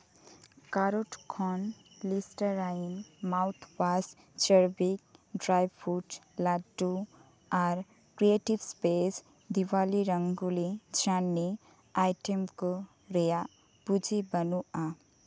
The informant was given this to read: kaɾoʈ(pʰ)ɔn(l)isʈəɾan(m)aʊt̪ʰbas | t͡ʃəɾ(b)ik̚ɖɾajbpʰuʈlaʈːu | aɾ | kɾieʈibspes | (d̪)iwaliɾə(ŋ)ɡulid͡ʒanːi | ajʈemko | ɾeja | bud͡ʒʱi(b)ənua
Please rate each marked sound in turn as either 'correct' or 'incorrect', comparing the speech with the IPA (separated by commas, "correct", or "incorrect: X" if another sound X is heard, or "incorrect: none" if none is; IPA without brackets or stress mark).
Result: incorrect: kʰ, correct, correct, correct, correct, correct, correct